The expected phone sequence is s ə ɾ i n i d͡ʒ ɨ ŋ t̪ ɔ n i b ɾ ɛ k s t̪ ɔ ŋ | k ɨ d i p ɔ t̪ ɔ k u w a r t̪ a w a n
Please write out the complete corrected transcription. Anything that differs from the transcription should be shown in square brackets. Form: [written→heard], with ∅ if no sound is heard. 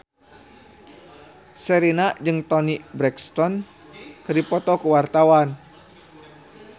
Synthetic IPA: s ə ɾ i n [i→a] d͡ʒ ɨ ŋ t̪ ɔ n i b ɾ ɛ k s t̪ ɔ [ŋ→n] | k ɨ d i p ɔ t̪ ɔ k u w a r t̪ a w a n